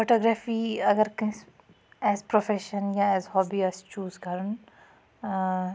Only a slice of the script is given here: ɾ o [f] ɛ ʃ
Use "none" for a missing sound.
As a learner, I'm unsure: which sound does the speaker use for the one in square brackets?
f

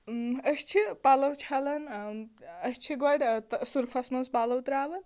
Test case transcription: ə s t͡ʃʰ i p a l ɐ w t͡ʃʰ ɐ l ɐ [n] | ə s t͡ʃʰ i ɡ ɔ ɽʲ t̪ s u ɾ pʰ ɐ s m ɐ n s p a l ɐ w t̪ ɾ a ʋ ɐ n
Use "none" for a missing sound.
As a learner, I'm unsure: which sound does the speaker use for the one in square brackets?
n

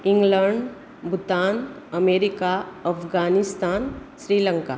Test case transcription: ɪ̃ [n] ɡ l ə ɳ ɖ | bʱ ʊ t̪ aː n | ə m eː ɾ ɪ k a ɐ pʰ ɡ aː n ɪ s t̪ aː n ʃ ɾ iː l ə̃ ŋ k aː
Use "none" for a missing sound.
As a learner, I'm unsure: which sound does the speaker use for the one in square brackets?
ŋ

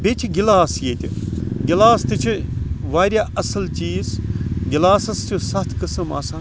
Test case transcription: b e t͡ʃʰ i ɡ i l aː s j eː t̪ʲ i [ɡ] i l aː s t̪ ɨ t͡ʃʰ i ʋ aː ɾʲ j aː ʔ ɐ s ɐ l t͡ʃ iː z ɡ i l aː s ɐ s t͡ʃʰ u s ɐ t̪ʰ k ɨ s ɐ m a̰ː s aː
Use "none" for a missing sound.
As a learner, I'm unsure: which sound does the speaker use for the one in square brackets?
ɡ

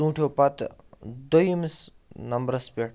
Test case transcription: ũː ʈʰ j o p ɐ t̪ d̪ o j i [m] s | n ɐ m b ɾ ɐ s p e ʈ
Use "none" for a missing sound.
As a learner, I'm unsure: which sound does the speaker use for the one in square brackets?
m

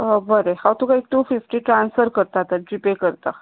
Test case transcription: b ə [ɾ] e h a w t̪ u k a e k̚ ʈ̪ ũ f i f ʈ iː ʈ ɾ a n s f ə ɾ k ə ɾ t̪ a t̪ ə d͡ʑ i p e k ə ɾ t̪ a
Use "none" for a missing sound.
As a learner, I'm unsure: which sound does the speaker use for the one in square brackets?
ɾ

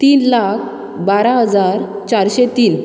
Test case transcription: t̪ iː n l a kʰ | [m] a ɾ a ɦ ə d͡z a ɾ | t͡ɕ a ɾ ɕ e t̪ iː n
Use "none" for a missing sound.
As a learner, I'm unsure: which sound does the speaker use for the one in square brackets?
b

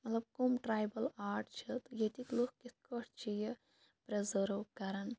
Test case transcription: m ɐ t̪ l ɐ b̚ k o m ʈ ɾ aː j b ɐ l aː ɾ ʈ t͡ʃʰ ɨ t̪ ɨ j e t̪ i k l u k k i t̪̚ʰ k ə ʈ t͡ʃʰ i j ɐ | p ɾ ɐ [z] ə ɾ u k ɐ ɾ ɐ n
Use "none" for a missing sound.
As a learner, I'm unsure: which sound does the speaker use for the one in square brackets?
z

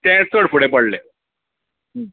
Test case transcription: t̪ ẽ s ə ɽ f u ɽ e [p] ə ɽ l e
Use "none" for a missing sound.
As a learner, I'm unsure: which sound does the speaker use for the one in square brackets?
p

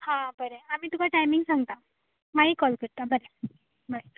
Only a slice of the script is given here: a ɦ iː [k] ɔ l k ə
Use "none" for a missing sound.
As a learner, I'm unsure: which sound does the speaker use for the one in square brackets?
k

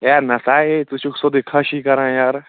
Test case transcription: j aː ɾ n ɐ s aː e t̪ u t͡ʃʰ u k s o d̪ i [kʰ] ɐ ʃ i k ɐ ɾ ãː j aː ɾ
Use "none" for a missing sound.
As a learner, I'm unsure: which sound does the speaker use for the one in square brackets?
kʰ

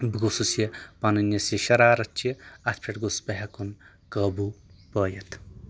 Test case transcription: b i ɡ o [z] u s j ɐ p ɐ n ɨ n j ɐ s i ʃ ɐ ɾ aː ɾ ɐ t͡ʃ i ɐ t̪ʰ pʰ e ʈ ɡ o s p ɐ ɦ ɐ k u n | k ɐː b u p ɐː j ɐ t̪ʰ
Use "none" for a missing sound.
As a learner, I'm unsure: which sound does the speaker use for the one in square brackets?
s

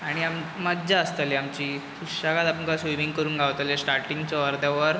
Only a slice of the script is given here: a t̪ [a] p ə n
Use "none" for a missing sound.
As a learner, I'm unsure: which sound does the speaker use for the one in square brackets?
a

